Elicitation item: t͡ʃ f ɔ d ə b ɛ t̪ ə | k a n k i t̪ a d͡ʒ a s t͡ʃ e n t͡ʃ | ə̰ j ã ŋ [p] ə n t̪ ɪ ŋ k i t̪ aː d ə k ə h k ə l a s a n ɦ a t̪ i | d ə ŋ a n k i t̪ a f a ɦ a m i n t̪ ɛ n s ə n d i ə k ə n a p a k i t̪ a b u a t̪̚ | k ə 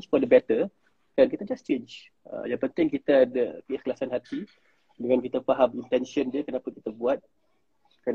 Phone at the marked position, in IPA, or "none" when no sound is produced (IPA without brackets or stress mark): p